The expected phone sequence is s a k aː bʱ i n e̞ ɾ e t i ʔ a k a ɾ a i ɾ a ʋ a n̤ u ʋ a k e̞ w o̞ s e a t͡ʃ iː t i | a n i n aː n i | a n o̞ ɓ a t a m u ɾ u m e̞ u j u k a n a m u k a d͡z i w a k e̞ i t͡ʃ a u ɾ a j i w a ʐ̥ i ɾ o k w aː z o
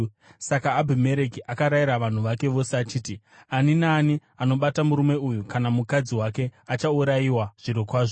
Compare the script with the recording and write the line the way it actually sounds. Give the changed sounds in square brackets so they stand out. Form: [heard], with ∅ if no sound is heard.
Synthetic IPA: s a k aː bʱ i [m] e̞ ɾ e [k] i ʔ a k a ɾ a i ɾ a ʋ a n̤ u ʋ a k e̞ [ʋ] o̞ s e a t͡ʃ iː t i | a n i n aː n i | a n o̞ ɓ a t a m u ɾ u m e̞ u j u k a n a m u k a d͡z i w a k e̞ [a] t͡ʃ a u ɾ a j i w a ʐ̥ i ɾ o k w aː [ʐ] o